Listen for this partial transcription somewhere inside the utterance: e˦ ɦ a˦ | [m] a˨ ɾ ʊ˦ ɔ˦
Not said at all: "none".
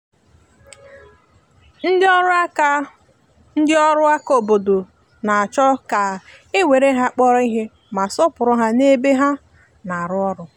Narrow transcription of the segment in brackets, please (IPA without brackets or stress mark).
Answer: n